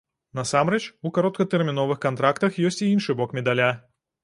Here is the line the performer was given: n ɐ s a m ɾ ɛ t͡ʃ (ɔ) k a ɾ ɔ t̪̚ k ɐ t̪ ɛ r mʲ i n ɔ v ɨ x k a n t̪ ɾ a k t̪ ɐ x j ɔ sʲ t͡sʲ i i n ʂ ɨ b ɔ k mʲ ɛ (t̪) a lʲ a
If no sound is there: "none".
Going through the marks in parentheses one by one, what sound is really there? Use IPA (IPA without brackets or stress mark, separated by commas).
u, d̪